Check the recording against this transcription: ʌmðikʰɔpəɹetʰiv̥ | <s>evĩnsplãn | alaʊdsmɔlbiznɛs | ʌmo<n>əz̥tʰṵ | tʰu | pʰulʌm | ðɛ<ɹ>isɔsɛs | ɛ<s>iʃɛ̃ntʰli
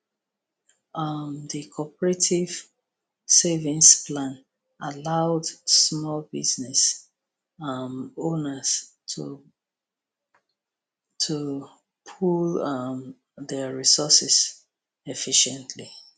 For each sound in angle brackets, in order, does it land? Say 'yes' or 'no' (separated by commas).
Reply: yes, yes, yes, no